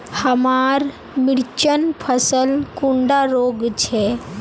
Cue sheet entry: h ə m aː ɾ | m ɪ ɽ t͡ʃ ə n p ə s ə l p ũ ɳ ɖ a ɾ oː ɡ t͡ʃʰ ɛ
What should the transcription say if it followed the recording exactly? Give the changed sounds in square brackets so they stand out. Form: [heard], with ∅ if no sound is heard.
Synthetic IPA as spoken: h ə m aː ɾ | m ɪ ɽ t͡ʃ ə n [pʰ] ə s ə l [k] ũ ɳ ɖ a ɾ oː ɡ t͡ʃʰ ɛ